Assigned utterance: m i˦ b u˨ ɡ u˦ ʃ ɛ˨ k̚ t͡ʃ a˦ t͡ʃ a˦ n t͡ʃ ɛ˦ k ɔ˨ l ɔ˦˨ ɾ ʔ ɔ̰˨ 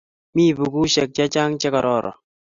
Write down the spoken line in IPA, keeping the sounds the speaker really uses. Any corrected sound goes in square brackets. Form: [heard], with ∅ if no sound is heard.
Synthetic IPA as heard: m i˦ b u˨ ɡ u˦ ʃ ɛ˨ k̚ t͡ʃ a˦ t͡ʃ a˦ [ŋ] t͡ʃ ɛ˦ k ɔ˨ [ɾ] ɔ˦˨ ɾ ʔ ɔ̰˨